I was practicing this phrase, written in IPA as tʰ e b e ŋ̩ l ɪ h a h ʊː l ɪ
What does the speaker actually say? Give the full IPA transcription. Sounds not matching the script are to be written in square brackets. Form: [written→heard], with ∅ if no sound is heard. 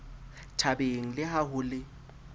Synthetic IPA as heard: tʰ [e→a] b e ŋ̩ l ɪ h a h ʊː l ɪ